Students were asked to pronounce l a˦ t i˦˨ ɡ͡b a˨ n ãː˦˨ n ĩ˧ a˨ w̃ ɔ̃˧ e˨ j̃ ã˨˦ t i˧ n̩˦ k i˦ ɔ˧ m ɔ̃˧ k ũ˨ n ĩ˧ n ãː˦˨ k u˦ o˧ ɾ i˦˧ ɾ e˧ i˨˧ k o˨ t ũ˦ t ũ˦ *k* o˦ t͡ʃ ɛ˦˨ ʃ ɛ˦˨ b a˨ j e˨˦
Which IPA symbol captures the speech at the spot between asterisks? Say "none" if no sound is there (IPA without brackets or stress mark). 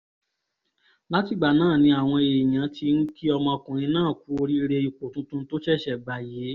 t